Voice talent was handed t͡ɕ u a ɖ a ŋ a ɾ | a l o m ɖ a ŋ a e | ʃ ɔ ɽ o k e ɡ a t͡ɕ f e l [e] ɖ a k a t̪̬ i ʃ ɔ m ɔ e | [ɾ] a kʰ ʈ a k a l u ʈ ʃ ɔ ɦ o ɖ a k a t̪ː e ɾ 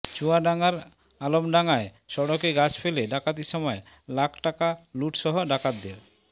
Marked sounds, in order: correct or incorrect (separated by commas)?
correct, incorrect